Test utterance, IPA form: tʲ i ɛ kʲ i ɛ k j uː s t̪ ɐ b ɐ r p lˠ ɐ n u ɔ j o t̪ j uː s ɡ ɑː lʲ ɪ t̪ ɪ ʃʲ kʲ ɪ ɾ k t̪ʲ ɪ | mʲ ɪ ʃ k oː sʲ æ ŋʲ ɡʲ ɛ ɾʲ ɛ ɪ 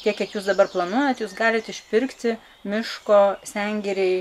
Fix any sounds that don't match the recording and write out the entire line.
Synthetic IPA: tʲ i ɛ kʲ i ɛ k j uː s d̪ ɐ b ɐ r p lˠ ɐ n u ɔ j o t̪ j uː s ɡ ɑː lʲ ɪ t̪ ɪ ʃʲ pʲ ɪ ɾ k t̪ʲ ɪ | mʲ ɪ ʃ k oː sʲ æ ŋʲ ɡʲ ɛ ɾʲ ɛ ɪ